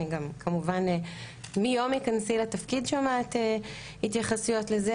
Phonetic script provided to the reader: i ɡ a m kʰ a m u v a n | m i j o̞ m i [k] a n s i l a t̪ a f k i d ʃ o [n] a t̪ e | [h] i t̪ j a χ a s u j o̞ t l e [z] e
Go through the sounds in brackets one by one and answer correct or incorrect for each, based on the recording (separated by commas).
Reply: correct, incorrect, correct, correct